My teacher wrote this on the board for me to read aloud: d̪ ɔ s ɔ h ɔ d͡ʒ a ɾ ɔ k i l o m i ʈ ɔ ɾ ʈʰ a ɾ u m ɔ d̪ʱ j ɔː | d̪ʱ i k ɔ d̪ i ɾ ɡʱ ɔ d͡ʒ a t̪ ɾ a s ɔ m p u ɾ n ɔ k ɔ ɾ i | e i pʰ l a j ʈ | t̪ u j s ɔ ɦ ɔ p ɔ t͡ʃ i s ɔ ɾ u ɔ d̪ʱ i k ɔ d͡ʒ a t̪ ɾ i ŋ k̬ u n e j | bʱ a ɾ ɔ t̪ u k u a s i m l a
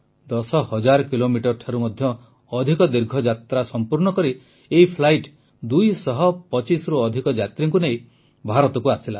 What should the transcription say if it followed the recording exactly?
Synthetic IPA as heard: d̪ ɔ s ɔ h ɔ d͡ʒ a ɾ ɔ k i l o m i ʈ ɔ ɾ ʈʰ a ɾ u m ɔ d̪ʱ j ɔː | d̪ʱ i k ɔ d̪ i ɾ ɡʱ ɔ d͡ʒ a t̪ ɾ a s ɔ m p u ɾ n ɔ k ɔ ɾ i | e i pʰ l a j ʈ | d̪ u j s ɔ ɦ ɔ p ɔ t͡ʃ i s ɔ ɾ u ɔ d̪ʱ i k ɔ d͡ʒ a t̪ ɾ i ŋ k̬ u n e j | bʱ a ɾ ɔ t̪ ɔ k u a s i l a